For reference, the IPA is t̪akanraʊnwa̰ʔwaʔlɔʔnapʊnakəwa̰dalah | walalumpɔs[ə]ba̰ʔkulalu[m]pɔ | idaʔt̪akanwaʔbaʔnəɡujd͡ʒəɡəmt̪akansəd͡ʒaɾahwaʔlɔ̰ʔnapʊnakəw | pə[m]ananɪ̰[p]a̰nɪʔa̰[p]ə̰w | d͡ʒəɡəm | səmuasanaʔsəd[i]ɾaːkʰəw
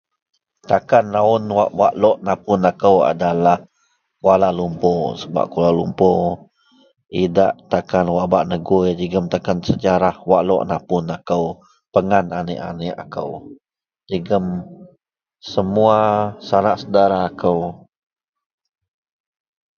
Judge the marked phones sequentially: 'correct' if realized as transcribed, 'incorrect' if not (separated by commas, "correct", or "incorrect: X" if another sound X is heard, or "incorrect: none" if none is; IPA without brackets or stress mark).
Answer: correct, correct, incorrect: ŋ, incorrect: ʔ, incorrect: k, incorrect: a